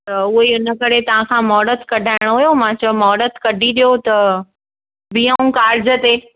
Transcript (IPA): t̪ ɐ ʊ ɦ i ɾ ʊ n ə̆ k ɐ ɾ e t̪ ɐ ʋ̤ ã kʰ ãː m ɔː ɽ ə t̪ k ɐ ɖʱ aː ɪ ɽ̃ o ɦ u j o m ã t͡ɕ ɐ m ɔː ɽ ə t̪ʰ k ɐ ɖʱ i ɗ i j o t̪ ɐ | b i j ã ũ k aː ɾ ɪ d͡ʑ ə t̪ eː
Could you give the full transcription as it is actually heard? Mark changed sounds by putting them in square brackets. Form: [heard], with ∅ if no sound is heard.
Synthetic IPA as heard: t̪ ɐ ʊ ɦ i [∅] ʊ n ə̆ k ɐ ɾ e t̪ ɐ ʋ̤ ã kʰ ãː m ɔː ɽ ə t̪ k ɐ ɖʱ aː ɪ ɽ̃ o ɦ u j o m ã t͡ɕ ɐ m ɔː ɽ ə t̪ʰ k ɐ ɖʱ i ɗ i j o t̪ ɐ | b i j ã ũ k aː ɾ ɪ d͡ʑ ə t̪ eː

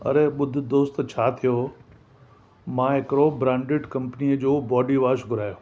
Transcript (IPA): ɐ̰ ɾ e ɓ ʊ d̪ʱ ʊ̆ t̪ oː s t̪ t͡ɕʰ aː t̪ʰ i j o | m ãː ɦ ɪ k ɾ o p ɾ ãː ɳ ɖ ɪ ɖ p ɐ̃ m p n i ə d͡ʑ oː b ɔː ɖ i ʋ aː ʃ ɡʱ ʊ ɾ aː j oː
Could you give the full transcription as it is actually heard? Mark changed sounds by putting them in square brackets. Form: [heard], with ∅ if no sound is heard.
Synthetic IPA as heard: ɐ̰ ɾ e ɓ ʊ d̪ʱ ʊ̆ [d̪] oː s t̪ t͡ɕʰ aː t̪ʰ i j o | m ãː ɦ ɪ k ɾ o [b] ɾ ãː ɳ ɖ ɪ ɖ [k] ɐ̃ m p n i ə d͡ʑ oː b ɔː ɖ i ʋ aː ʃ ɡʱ ʊ ɾ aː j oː

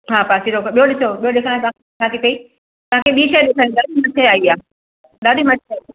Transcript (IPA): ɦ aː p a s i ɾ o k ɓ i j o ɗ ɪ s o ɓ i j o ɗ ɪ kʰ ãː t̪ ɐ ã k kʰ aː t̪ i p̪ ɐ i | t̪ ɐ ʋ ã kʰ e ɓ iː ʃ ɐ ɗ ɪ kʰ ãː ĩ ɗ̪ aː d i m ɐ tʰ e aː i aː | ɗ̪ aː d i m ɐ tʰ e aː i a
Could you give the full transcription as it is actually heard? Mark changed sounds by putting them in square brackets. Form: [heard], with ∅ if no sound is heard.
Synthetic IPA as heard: ɦ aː p a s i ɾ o k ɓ i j o ɗ ɪ s o ɓ i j o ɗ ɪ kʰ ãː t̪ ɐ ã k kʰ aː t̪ i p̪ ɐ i | t̪ ɐ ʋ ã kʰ e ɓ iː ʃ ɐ ɗ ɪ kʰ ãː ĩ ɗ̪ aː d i m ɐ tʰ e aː i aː | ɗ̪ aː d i m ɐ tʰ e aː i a

